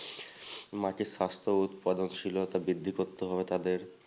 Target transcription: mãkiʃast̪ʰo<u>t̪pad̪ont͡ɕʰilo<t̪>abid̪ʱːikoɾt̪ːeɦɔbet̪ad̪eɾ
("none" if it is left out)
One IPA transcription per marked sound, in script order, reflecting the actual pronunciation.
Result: u, t̪

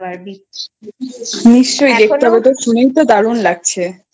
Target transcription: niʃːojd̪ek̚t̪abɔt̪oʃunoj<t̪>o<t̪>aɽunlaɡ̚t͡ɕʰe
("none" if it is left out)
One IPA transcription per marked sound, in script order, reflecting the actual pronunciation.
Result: t̪, d̪

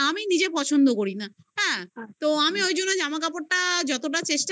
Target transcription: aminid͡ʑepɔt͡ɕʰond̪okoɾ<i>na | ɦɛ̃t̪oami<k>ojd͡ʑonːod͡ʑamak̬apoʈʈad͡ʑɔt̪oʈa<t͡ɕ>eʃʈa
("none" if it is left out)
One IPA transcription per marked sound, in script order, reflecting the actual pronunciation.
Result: i, none, t͡ɕ

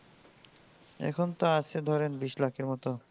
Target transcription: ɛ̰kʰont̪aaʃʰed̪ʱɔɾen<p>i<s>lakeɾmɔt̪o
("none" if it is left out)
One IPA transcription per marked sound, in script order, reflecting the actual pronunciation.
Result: b, ʃ

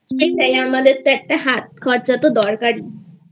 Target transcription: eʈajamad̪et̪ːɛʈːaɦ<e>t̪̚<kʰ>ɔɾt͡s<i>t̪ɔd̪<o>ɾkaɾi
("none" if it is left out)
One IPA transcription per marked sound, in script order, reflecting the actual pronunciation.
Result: a, kʰ, a, ɔ

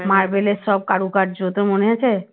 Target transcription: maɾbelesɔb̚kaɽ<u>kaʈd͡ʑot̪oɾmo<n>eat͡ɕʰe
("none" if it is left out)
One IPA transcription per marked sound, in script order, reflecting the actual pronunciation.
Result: u, n

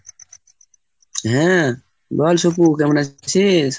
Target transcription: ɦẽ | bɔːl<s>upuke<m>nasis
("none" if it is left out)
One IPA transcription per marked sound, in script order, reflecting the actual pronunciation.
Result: s, m

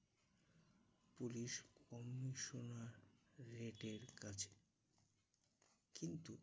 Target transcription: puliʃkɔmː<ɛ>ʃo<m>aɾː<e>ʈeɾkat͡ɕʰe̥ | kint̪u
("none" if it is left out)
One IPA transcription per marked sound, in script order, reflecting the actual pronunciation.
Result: i, n, e

